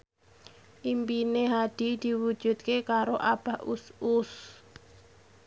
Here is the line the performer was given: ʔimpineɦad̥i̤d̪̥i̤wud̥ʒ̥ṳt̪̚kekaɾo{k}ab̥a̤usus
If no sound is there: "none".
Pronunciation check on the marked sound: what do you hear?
ʔ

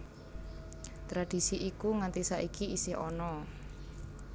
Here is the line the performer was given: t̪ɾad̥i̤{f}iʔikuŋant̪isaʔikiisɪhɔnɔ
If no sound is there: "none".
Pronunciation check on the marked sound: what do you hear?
s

